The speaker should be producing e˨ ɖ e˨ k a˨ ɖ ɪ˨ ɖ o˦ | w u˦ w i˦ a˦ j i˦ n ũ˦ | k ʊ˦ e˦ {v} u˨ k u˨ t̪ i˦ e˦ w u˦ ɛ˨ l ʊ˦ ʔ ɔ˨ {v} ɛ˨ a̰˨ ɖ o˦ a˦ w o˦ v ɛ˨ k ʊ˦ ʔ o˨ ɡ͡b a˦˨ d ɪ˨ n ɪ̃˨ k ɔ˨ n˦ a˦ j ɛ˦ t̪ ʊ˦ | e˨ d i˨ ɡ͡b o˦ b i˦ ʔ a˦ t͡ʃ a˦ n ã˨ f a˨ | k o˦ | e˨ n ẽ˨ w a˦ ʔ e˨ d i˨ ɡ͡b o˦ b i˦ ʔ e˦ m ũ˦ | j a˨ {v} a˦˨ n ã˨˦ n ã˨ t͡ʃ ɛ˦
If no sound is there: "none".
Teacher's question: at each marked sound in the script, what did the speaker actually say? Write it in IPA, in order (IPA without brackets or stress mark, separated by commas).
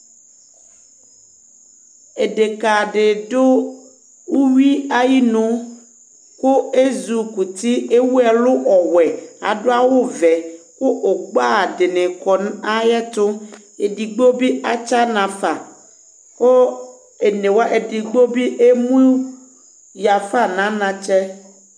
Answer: z, w, f